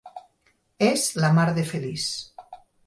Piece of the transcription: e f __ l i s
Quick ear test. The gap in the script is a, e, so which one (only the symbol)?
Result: e